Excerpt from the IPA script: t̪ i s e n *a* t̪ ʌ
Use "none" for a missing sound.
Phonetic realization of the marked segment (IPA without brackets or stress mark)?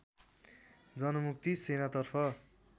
a